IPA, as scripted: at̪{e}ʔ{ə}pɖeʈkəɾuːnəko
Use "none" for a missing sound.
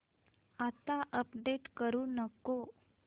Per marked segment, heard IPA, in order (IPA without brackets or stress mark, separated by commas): a, ə